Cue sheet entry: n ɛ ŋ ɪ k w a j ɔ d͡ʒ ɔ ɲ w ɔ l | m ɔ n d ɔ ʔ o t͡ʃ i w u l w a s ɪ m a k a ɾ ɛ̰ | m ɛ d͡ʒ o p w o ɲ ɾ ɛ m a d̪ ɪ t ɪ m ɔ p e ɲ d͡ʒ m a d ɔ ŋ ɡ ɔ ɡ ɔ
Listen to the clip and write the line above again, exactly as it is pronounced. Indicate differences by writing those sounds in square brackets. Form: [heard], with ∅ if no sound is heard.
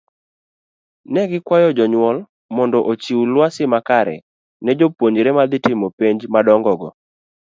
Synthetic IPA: n ɛ [ɡ] ɪ k w a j ɔ d͡ʒ ɔ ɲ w ɔ l | m ɔ n d ɔ ʔ o t͡ʃ i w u l w a s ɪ m a k a ɾ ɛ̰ | [n] ɛ d͡ʒ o p w o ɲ ɾ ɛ m a d̪ ɪ t ɪ m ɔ p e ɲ d͡ʒ m a d ɔ ŋ ɡ ɔ ɡ ɔ